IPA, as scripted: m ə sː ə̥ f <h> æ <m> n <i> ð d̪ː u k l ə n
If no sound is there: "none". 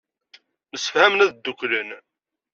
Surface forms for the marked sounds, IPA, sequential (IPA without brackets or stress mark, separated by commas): h, m, æ